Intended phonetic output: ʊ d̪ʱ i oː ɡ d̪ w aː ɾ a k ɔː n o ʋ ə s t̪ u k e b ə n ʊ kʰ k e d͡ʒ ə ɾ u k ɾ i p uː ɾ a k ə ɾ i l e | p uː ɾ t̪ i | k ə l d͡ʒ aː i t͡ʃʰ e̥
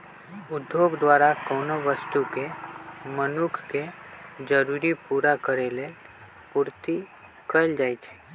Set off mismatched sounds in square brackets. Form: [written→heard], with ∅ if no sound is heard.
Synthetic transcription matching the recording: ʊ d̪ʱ [i→j] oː ɡ d̪ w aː ɾ a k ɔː n o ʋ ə s t̪ u k e [b→m] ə n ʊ kʰ k e d͡ʒ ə ɾ u [k→∅] ɾ i p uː ɾ a k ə ɾ [i→e] l e | p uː ɾ t̪ i | k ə l d͡ʒ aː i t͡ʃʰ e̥